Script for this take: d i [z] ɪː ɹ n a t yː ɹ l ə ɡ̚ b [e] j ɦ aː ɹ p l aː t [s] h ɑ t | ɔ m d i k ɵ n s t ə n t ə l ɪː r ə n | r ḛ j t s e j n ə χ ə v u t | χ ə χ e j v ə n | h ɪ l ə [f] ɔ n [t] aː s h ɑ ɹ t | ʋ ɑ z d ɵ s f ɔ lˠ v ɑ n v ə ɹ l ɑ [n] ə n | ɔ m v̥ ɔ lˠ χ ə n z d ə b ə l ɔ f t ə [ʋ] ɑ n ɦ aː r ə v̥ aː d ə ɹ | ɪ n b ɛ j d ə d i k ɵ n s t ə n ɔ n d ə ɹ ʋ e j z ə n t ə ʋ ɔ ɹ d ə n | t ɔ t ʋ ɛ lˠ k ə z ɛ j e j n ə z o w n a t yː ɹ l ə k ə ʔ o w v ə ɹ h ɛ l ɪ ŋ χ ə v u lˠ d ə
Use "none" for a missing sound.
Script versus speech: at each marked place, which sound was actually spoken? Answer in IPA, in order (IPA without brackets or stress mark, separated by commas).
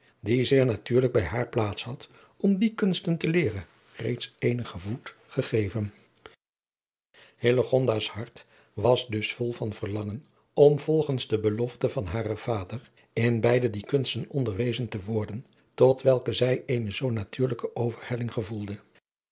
z, ɛ, s, χ, d, ŋ, v